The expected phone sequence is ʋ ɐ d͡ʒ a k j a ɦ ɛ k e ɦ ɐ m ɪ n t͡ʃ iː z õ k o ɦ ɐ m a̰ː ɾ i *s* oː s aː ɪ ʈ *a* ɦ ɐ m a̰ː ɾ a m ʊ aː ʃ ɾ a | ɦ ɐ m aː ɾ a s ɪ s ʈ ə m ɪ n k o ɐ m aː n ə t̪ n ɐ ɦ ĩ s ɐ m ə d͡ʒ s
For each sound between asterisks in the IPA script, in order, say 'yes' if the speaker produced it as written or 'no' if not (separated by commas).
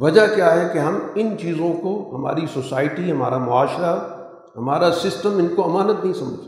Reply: yes, no